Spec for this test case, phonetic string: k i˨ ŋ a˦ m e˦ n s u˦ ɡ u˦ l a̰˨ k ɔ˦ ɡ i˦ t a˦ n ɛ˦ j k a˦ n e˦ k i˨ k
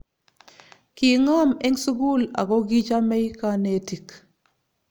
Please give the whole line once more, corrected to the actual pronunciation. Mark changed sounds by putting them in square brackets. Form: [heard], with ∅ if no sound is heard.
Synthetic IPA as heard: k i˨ ŋ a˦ m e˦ [ŋ] s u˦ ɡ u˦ l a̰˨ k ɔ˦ ɡ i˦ [t͡ʃ] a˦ [m] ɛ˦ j k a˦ n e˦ [t] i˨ k